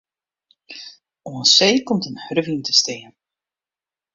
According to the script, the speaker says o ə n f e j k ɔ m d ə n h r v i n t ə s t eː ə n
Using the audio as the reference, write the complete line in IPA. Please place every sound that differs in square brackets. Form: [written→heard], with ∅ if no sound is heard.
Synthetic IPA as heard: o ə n [f→s] e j k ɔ m [d→t] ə n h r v i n t ə s t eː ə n